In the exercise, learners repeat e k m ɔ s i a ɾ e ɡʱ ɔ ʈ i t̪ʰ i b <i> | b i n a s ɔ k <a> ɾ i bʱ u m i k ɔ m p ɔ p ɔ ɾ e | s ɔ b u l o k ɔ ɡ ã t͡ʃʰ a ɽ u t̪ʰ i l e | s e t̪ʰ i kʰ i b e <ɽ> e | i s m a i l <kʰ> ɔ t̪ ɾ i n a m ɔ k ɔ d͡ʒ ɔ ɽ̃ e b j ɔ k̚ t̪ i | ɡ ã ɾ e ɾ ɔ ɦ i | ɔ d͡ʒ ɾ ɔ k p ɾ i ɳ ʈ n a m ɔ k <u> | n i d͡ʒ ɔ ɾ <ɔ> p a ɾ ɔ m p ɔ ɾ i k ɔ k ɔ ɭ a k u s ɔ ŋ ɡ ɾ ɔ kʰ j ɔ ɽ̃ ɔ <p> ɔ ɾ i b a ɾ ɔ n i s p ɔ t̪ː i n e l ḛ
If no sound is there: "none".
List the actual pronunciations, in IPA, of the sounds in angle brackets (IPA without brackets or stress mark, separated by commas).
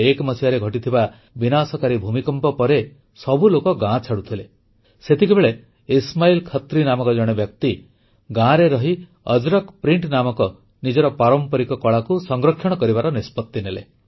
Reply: a, a, ɭ, kʰ, ɔ, ɔ, k